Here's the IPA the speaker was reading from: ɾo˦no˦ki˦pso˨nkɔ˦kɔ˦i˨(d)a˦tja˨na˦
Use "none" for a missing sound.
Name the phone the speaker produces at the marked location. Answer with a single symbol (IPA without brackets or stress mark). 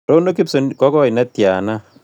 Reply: n